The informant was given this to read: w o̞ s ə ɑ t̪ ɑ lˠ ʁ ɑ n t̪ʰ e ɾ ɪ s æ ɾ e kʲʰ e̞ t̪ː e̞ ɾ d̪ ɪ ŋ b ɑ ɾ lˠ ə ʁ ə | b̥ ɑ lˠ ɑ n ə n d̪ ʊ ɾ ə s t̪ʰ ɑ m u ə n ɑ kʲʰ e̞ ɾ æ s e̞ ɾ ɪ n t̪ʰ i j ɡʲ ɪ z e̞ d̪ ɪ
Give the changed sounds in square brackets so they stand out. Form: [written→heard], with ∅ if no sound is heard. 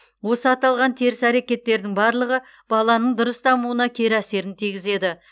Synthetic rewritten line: w o̞ s ə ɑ t̪ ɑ lˠ ʁ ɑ n t̪ʰ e ɾ ɪ s æ ɾ e [kʲʰ→kʲ] e̞ t̪ː e̞ ɾ d̪ ɪ ŋ b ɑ ɾ lˠ ə ʁ ə | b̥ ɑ lˠ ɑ n ə [n→ɴ] d̪ ʊ ɾ ə s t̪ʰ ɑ m u ə n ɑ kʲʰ e̞ ɾ æ s e̞ ɾ ɪ n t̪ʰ i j ɡʲ ɪ z e̞ d̪ ɪ

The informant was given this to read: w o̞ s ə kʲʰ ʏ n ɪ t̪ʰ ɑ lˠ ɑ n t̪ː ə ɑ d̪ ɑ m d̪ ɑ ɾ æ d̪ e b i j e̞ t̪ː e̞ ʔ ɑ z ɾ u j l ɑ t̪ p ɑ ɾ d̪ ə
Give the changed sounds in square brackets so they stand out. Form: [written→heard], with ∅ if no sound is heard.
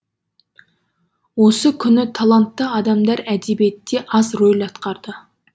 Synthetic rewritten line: w o̞ s ə kʲʰ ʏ n ɪ t̪ʰ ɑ lˠ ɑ n t̪ː ə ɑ d̪ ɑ m d̪ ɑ ɾ æ d̪ e b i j e̞ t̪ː e̞ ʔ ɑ z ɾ [u→o] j l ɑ t̪ [p→q] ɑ ɾ d̪ ə

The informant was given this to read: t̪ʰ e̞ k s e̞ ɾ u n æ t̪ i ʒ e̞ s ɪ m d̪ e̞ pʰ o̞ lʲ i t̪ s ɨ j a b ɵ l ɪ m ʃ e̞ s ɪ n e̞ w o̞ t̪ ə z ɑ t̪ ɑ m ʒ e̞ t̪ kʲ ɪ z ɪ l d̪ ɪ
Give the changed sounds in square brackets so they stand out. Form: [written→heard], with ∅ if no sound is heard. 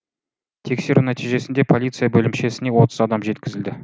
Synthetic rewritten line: t̪ʰ e̞ k s e̞ ɾ u n æ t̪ i ʒ e̞ s ɪ [m→n] d̪ e̞ pʰ o̞ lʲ i t̪ s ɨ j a b ɵ l ɪ m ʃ e̞ s ɪ n e̞ w o̞ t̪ ə z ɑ [t̪→d̪] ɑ m ʒ e̞ t̪ kʲ ɪ z ɪ l d̪ ɪ

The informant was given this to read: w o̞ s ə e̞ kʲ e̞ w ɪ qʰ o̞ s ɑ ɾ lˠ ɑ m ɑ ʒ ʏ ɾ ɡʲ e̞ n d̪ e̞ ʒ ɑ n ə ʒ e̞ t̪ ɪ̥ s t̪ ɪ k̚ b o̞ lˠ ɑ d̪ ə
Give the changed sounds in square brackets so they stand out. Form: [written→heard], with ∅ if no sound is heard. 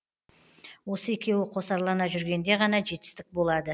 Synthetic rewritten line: w o̞ s ə e̞ kʲ e̞ w ɪ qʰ o̞ s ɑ ɾ lˠ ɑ [m→n] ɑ ʒ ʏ ɾ ɡʲ e̞ n d̪ e̞ [ʒ→ʁ] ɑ n [ə→ɑ] ʒ e̞ t̪ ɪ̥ s t̪ ɪ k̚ b o̞ lˠ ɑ d̪ ə

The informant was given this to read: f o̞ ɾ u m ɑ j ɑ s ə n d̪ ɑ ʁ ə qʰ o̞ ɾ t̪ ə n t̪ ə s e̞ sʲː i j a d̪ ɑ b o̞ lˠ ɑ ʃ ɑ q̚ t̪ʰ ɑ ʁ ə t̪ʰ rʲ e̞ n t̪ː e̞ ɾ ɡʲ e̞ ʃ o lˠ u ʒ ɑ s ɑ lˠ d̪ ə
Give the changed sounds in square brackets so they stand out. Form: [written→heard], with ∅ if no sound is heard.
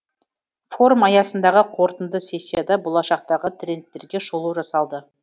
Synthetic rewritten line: f o̞ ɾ u m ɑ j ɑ s ə n d̪ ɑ ʁ ə qʰ o̞ ɾ t̪ ə n [t̪→d̪] ə s e̞ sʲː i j a d̪ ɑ b o̞ lˠ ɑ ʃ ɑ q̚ [t̪ʰ→t̪] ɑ ʁ ə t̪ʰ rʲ e̞ n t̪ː e̞ ɾ ɡʲ e̞ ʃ o lˠ u ʒ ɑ s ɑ lˠ d̪ ə

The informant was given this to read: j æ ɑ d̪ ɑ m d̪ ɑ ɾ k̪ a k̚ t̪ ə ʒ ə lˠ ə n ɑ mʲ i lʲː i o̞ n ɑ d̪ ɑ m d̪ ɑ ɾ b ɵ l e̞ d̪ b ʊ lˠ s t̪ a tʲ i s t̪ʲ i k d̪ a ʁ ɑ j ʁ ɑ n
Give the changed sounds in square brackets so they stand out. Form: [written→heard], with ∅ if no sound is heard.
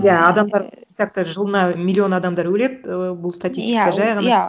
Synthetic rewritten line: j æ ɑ d̪ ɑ m d̪ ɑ ɾ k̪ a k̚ t̪ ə ʒ ə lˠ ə n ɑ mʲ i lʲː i o̞ n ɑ d̪ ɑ m d̪ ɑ ɾ [b→w] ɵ l e̞ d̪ b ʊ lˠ s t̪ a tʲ i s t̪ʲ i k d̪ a [ʁ→ʒ] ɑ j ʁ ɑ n

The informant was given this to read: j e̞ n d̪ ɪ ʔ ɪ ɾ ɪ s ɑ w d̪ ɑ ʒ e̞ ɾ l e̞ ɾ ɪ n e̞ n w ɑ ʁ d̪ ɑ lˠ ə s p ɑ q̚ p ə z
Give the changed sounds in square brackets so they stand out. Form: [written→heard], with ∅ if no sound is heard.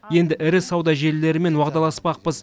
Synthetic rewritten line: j e̞ n d̪ ɪ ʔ ɪ ɾ ɪ s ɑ w d̪ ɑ ʒ e̞ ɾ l e̞ ɾ ɪ [n→m] e̞ n w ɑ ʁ d̪ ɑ lˠ [ə→ɑ] s p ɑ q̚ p ə z

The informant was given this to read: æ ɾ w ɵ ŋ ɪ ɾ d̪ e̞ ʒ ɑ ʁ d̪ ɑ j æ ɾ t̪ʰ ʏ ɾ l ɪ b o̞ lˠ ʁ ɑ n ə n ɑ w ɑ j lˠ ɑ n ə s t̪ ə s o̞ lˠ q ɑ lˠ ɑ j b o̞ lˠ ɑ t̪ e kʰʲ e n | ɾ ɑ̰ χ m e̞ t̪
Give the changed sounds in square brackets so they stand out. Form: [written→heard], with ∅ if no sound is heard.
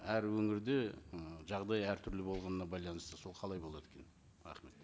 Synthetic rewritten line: æ ɾ w ɵ ŋ ɪ ɾ d̪ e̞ ʒ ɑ ʁ d̪ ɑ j æ ɾ t̪ʰ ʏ ɾ l ɪ b o̞ lˠ ʁ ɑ n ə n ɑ [w→b] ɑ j lˠ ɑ n ə s t̪ ə s o̞ lˠ [q→qʰ] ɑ lˠ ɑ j b o̞ lˠ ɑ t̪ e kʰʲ e n | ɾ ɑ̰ χ m e̞ t̪

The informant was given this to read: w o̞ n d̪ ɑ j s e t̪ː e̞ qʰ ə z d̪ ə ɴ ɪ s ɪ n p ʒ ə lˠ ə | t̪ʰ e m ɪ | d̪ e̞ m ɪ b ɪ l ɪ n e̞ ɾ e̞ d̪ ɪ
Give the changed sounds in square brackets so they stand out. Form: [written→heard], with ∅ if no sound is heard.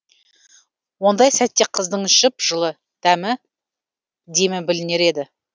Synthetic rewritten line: w o̞ n d̪ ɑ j s [e→æ] t̪ː e̞ qʰ ə z d̪ ə ɴ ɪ [s→ʃ] ɪ [n→∅] p ʒ ə lˠ ə | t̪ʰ [e→æ] m ɪ | d̪ e̞ m ɪ b ɪ l ɪ n e̞ ɾ e̞ d̪ ɪ

